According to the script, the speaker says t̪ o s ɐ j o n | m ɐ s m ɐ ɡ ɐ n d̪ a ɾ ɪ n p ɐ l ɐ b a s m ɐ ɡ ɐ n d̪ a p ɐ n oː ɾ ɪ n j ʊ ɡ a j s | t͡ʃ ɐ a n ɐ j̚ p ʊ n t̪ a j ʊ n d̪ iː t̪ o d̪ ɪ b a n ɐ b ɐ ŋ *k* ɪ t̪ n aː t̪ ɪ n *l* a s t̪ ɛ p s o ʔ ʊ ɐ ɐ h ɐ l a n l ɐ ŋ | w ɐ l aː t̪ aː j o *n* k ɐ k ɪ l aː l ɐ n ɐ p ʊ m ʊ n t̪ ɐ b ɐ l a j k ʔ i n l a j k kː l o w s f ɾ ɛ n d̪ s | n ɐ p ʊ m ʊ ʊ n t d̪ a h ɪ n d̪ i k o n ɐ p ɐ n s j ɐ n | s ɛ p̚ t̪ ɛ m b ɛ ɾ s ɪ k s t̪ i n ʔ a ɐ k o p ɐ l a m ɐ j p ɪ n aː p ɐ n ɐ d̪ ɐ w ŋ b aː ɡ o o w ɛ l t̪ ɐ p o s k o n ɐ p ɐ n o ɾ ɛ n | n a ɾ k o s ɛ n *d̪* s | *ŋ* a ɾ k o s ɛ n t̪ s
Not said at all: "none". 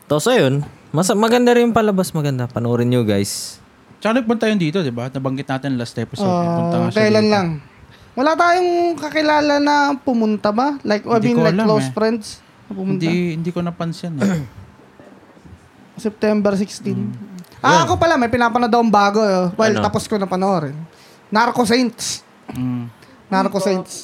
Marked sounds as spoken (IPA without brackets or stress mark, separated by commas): ɡ, l, ŋ, t̪, n